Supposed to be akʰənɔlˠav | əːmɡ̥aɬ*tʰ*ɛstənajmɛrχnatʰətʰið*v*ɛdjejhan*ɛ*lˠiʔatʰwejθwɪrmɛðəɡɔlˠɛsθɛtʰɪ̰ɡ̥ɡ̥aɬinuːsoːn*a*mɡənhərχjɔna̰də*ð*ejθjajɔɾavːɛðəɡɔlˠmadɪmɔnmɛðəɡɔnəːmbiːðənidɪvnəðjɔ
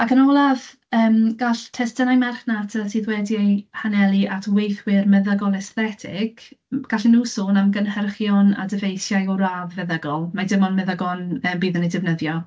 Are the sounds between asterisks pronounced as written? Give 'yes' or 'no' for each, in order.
yes, no, yes, yes, no

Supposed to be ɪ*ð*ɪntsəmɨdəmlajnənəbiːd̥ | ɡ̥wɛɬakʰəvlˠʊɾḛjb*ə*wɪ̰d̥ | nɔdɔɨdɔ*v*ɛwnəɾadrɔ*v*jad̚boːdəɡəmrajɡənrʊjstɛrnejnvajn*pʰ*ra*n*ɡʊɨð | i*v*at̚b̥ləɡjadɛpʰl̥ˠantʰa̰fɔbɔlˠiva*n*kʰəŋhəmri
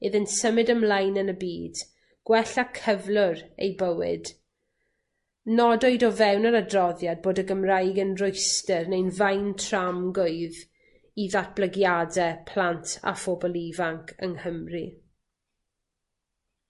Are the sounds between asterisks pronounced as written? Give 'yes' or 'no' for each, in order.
yes, yes, yes, no, no, no, no, no

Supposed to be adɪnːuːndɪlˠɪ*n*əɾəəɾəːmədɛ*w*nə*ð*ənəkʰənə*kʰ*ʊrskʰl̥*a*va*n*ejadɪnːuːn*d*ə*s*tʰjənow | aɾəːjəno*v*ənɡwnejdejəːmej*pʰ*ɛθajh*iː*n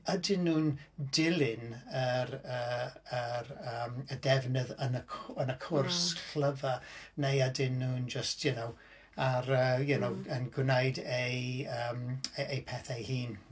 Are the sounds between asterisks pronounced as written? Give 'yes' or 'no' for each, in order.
yes, no, yes, yes, no, yes, no, yes, no, yes, yes

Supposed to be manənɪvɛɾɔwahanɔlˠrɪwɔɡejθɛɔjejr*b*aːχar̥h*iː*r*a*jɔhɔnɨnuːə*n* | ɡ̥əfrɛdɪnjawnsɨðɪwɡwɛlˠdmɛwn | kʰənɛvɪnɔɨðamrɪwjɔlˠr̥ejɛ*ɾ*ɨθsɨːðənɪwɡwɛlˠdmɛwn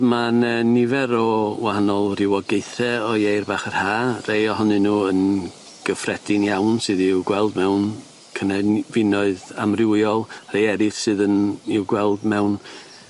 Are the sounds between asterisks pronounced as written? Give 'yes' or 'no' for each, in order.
yes, no, no, yes, yes

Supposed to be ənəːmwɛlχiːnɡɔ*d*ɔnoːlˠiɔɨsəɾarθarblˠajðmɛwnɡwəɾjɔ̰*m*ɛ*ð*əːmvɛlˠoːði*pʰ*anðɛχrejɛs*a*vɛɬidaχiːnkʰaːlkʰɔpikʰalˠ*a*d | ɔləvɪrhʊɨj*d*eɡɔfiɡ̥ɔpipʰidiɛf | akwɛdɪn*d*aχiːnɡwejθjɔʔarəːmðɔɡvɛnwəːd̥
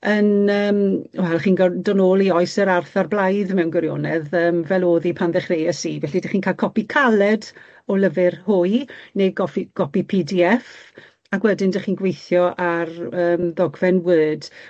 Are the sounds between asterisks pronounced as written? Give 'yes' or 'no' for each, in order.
yes, no, yes, yes, no, no, no, yes

